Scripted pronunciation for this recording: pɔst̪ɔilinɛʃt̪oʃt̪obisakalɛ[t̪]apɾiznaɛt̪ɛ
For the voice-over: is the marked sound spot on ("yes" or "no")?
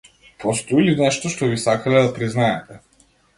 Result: no